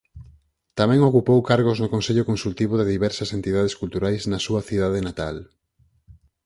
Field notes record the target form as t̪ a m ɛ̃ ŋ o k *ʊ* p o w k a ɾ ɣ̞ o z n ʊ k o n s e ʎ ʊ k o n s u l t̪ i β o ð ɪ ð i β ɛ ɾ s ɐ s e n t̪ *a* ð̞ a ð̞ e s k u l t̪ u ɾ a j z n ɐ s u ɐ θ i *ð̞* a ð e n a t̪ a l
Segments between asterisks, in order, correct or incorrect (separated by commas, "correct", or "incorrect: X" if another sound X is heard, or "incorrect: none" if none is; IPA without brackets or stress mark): incorrect: u, incorrect: i, correct